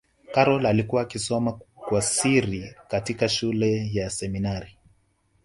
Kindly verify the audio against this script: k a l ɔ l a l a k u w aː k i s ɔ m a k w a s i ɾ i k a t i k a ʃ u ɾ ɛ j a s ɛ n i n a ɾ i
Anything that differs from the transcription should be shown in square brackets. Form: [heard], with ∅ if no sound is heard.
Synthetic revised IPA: k a [ɾ] ɔ l a l [i] k u w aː k i s ɔ m a k w a s i ɾ i k a t i k a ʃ u [l] ɛ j a s ɛ [m] i n a ɾ i